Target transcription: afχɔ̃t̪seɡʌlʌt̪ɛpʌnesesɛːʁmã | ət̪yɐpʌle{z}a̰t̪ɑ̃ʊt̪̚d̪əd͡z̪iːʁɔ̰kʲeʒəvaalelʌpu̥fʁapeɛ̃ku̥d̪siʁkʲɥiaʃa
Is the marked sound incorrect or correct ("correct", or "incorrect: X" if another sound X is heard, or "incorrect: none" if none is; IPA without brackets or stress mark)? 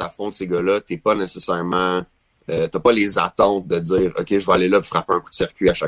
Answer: correct